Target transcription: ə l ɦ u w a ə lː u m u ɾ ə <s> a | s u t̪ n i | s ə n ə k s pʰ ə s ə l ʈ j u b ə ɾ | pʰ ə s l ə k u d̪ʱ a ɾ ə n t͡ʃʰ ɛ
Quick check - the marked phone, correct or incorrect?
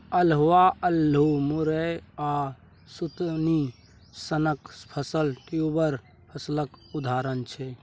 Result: incorrect